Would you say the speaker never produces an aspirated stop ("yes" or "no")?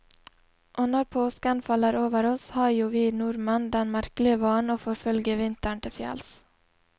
no